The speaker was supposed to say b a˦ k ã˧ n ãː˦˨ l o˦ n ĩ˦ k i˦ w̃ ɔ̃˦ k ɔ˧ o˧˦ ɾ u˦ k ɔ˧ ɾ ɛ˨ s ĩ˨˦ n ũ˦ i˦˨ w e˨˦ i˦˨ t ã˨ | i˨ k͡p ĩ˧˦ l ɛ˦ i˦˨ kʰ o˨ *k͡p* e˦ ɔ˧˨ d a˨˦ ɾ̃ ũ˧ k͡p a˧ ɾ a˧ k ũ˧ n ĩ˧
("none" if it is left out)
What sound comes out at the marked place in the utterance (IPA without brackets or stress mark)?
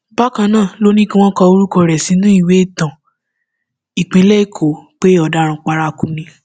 k͡p